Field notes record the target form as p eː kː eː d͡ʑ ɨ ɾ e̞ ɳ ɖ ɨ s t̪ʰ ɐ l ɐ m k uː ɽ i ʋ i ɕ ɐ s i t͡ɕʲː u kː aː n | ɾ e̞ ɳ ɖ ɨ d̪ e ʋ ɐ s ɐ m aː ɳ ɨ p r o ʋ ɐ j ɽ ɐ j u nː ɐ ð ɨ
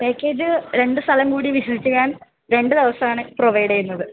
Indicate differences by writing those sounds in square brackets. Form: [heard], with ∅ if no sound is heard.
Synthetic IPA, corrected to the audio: p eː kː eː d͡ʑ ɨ ɾ e̞ ɳ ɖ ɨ s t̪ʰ ɐ l ɐ m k uː ɽ i ʋ i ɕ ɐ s i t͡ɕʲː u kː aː n | ɾ e̞ ɳ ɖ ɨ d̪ e ʋ ɐ s ɐ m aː ɳ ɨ p r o ʋ ɐ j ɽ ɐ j u nː ɐ ð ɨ